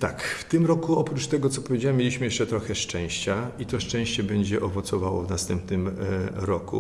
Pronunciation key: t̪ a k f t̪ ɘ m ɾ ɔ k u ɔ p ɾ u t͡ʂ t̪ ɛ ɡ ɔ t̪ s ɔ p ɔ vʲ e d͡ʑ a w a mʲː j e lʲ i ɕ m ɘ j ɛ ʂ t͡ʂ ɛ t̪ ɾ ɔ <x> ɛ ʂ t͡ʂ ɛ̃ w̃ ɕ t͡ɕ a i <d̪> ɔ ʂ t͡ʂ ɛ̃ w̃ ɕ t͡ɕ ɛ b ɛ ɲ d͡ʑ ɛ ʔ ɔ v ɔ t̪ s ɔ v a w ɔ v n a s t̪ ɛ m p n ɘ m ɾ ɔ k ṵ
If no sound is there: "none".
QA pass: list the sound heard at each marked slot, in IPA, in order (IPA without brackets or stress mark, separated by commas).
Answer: x, t̪